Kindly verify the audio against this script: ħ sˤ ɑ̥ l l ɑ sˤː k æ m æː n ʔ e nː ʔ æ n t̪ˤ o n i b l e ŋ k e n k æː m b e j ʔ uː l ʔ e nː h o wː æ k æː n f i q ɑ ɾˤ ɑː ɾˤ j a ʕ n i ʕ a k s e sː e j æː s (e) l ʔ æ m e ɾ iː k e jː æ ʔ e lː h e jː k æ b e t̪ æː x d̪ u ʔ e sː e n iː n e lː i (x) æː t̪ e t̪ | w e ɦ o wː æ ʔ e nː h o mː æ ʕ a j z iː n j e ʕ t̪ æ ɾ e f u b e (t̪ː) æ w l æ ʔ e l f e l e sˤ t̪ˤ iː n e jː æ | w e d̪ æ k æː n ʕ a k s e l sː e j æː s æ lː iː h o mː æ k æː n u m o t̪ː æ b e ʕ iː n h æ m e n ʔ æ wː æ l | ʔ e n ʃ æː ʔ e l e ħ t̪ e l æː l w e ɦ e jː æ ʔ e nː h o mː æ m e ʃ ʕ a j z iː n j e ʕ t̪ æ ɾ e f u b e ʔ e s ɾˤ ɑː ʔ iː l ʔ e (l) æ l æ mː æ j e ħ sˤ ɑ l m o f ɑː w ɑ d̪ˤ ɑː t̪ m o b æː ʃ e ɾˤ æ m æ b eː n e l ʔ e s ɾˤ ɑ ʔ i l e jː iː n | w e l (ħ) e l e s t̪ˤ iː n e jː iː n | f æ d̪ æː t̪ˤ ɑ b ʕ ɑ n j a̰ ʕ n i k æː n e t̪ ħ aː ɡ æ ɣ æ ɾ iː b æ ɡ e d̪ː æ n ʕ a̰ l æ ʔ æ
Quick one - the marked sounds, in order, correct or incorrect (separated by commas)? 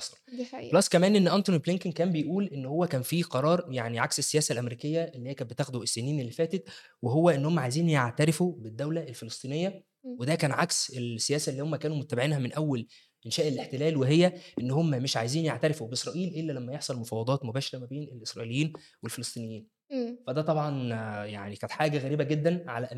incorrect, incorrect, incorrect, incorrect, incorrect